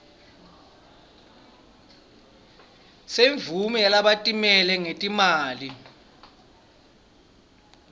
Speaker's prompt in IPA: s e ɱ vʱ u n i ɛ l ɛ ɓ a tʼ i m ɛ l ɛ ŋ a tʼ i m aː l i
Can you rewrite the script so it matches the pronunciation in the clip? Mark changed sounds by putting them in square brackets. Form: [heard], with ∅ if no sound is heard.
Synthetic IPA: s e ɱ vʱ u [m] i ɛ l [a] ɓ a tʼ i m ɛ l ɛ ŋ [e] tʼ i m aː l i